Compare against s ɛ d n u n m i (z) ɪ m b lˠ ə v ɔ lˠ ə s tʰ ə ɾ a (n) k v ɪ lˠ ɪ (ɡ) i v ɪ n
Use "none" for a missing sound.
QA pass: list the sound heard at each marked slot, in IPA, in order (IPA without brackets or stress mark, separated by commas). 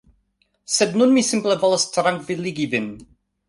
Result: s, ŋ, ɡ